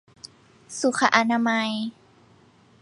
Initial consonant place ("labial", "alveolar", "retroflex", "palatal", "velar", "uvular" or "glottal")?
alveolar